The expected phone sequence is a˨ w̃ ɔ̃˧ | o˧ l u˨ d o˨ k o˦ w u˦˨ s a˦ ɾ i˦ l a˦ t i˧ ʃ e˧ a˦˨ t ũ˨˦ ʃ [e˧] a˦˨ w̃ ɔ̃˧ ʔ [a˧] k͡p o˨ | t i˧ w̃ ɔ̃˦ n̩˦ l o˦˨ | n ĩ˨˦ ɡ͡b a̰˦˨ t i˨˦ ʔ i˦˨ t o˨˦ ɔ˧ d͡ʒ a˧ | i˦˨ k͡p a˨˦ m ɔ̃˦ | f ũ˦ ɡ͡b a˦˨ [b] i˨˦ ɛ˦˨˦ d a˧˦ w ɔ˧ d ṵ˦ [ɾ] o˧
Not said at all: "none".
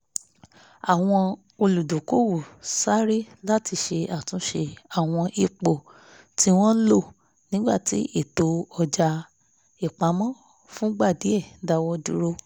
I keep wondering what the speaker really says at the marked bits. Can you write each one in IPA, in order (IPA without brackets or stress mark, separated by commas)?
e˧, i˧, d, ɾ